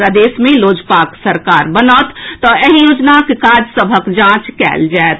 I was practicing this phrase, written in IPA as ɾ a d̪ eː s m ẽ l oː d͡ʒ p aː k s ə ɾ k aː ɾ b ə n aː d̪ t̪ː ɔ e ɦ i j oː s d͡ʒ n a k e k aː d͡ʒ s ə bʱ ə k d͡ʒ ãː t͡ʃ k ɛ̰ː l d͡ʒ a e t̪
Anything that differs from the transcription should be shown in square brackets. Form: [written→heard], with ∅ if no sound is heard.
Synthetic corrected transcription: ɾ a d̪ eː s m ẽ l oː d͡ʒ p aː k s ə ɾ k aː ɾ b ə n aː [d̪→t̪] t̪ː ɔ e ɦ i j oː [s→∅] d͡ʒ n a k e k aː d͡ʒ s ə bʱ ə k d͡ʒ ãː t͡ʃ k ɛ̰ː l d͡ʒ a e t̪